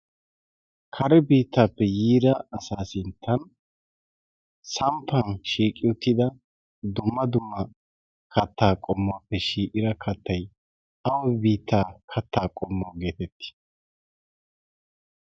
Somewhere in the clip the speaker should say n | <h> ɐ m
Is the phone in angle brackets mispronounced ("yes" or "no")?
yes